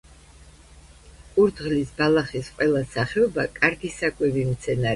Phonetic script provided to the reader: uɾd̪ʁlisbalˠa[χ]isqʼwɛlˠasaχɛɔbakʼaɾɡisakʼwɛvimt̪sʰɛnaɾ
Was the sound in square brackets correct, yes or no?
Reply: yes